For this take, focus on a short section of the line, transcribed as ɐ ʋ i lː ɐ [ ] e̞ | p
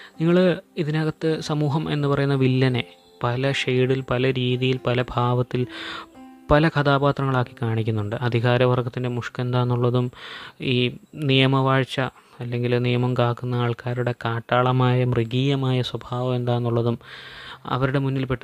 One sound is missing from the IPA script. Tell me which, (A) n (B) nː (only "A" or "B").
A